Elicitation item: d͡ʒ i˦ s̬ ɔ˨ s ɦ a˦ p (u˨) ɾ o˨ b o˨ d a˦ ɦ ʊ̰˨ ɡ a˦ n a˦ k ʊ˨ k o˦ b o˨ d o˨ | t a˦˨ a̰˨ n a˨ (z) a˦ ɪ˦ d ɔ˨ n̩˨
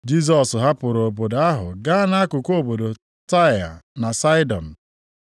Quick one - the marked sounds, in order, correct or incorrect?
incorrect: ʊ˨, incorrect: s

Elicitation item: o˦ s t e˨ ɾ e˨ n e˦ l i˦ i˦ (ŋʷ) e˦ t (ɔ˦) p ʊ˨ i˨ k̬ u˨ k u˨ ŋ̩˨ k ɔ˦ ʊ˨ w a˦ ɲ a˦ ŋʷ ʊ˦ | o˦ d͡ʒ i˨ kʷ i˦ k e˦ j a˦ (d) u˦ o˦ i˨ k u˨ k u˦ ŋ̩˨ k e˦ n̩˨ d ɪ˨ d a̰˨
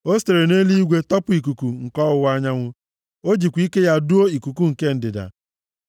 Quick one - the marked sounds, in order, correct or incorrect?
incorrect: ɡʷ, correct, correct

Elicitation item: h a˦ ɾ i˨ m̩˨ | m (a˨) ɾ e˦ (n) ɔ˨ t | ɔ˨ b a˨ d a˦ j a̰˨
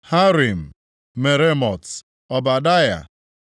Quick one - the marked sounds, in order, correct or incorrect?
incorrect: e˨, incorrect: m

